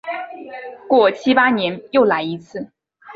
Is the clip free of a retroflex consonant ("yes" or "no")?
yes